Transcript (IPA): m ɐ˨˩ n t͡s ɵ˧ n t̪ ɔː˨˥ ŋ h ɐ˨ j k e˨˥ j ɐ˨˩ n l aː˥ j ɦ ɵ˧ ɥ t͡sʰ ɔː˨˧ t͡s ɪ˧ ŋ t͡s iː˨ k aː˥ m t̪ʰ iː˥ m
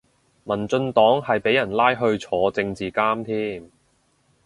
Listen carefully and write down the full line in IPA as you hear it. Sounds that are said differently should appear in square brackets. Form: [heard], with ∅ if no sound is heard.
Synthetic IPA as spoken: m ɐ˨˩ n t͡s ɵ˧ n t̪ ɔː˨˥ ŋ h ɐ˨ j [p] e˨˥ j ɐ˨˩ n l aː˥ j ɦ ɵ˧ ɥ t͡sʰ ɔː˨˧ t͡s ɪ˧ ŋ t͡s iː˨ k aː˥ m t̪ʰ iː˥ m